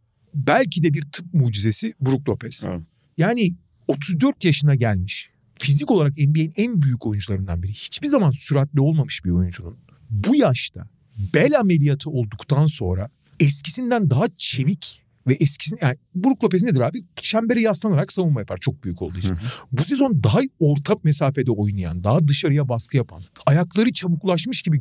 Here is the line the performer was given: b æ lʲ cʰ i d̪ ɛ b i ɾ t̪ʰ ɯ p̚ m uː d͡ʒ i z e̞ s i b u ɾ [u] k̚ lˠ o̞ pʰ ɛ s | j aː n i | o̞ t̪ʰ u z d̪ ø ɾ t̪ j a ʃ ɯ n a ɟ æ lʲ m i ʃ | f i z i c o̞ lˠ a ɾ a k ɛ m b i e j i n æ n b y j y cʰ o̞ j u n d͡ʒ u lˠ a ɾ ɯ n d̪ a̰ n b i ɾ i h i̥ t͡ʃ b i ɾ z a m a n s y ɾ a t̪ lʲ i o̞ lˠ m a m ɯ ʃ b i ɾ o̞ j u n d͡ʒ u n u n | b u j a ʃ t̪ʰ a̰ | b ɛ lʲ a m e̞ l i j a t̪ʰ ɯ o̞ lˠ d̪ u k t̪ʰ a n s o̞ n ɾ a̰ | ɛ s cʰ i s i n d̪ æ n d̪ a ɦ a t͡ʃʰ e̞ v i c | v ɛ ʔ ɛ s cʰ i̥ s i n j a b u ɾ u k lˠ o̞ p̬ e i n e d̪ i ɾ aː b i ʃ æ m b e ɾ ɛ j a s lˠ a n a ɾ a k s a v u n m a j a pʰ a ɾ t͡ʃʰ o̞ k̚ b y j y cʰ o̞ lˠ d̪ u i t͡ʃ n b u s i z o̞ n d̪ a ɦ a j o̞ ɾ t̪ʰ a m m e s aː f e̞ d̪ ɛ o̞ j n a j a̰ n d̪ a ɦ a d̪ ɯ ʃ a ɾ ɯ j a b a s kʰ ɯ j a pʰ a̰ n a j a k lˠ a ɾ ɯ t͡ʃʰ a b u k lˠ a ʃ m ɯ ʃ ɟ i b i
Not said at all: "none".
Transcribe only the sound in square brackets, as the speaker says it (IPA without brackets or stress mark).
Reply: u